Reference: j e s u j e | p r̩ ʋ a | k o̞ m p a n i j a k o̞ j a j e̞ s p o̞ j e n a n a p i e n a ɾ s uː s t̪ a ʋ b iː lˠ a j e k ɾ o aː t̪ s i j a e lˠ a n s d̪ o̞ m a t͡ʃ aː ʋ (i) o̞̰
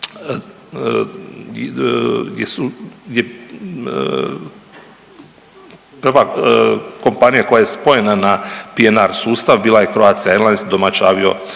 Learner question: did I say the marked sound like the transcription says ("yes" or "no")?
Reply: yes